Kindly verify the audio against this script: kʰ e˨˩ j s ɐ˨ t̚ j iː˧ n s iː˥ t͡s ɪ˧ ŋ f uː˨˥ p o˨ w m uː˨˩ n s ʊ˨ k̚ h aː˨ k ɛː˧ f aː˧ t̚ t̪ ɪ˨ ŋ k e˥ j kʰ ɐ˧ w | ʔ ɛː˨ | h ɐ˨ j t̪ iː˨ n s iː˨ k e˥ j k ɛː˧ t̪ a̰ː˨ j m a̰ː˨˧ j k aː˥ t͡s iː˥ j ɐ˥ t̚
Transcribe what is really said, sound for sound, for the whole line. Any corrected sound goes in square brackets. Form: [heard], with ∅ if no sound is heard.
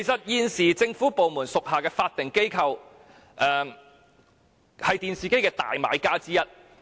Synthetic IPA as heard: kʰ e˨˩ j s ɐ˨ t̚ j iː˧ n s [iː˨˩] t͡s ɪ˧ ŋ f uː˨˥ p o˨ w m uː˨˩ n s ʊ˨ k̚ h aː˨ k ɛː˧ f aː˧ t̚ t̪ ɪ˨ ŋ k e˥ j kʰ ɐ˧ w | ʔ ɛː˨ | h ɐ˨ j t̪ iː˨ n s iː˨ k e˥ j k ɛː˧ t̪ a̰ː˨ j m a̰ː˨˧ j k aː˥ t͡s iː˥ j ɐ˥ t̚